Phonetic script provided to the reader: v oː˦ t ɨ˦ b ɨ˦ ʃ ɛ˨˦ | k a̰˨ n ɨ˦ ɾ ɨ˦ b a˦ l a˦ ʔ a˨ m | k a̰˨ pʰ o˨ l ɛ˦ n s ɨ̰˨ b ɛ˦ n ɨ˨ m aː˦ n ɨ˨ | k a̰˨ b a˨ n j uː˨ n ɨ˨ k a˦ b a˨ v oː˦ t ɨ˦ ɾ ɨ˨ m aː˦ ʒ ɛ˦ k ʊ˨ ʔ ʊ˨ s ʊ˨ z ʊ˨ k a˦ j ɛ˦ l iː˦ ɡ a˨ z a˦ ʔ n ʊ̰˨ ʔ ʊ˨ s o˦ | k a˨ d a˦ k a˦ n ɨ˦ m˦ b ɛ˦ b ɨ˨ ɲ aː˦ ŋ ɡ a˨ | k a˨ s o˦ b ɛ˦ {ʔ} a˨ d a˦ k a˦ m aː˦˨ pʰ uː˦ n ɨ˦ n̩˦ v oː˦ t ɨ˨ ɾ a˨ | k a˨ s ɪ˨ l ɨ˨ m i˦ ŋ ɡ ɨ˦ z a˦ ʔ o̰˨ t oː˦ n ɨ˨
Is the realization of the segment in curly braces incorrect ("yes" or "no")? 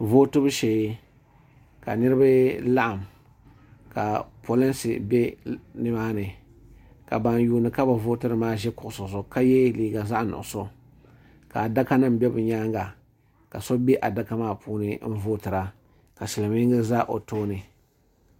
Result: no